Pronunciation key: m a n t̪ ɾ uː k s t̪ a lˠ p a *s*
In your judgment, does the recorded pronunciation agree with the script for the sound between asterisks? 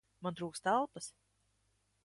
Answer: yes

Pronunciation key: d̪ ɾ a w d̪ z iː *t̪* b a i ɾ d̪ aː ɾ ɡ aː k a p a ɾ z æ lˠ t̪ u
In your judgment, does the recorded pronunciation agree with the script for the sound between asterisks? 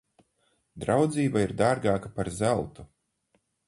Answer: no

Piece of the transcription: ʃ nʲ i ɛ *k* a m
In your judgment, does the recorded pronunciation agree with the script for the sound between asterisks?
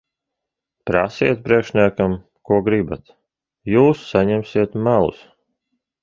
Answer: yes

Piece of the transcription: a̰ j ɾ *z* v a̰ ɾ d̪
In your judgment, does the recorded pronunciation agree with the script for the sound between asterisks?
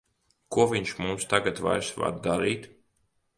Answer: no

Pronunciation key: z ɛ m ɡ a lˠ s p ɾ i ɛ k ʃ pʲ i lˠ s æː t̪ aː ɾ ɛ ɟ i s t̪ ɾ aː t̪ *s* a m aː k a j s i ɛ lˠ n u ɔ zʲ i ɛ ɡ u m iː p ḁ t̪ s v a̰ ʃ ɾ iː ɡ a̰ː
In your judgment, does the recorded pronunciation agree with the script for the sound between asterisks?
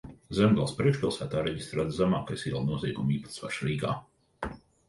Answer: no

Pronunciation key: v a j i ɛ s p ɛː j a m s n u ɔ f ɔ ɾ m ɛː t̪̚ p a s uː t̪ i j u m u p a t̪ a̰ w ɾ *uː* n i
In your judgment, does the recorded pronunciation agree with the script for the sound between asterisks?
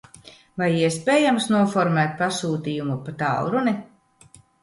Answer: no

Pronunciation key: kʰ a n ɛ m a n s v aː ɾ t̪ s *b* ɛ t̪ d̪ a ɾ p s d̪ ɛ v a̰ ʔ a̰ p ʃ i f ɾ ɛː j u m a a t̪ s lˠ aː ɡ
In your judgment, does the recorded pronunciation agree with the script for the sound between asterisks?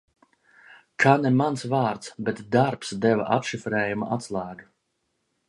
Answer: yes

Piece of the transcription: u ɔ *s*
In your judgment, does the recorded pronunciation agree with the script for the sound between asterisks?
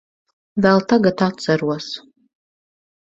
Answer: yes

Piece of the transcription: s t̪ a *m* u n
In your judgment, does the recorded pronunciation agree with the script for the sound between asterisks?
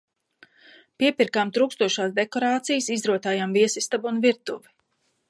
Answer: no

